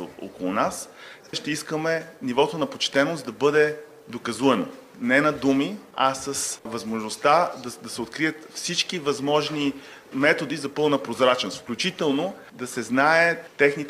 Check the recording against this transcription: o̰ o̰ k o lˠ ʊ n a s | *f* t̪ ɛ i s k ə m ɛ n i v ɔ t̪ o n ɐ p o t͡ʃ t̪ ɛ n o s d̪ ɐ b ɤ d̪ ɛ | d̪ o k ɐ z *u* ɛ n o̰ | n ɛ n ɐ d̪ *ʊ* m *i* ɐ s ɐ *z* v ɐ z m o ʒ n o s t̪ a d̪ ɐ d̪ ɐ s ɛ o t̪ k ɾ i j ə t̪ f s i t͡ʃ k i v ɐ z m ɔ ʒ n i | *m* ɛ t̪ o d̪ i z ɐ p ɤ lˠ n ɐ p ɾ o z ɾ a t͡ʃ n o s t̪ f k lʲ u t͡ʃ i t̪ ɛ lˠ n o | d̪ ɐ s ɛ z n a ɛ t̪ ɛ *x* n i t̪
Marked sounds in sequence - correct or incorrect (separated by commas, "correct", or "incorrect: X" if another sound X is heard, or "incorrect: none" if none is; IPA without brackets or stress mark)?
incorrect: ʃ, correct, incorrect: u, correct, incorrect: s, correct, correct